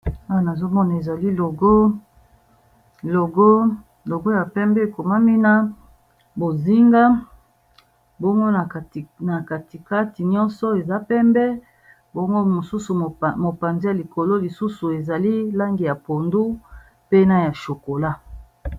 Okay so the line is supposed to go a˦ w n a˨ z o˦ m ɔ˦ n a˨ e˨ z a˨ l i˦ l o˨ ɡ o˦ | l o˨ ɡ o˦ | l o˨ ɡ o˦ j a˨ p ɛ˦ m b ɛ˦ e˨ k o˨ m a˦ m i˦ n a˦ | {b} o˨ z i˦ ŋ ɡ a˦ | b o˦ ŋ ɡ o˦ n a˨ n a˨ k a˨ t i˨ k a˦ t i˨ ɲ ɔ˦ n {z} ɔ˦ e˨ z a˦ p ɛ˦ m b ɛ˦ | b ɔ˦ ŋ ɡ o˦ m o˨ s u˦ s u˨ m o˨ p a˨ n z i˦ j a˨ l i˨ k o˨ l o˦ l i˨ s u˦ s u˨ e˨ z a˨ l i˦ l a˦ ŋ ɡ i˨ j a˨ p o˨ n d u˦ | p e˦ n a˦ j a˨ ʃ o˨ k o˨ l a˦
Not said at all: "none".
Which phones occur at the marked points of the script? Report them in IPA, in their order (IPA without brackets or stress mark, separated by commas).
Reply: b, s